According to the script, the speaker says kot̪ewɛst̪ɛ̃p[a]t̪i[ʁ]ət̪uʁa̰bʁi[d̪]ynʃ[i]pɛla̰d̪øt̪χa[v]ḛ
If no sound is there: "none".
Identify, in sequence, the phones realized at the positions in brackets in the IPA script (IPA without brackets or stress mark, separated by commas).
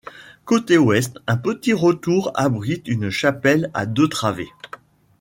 ə, ʁ, t̪, a, v